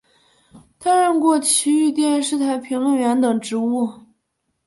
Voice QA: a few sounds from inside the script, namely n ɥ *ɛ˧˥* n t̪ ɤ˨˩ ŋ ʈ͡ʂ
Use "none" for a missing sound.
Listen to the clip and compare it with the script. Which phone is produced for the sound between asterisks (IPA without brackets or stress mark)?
ɛ˧˥